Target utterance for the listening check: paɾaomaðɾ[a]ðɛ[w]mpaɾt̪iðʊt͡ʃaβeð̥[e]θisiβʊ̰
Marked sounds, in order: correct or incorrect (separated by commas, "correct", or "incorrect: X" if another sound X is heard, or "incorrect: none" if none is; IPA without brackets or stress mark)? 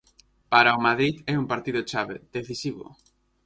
incorrect: i, incorrect: u, correct